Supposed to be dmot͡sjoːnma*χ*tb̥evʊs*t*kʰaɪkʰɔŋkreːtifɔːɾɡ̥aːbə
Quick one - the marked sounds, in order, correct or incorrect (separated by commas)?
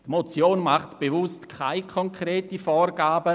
correct, correct